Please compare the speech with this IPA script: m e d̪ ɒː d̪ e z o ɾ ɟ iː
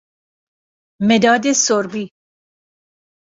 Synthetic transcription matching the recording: m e d̪ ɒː d̪ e s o ɾ b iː